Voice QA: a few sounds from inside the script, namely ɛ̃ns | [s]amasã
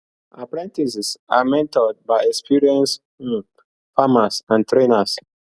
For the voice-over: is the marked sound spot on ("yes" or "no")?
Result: no